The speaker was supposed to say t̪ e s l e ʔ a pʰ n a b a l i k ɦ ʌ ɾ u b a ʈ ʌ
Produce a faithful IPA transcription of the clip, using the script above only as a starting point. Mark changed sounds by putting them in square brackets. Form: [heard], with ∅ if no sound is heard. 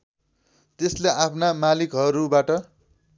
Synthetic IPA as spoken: t̪ e s l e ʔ a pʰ n a [m] a l i k ɦ ʌ ɾ u b a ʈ ʌ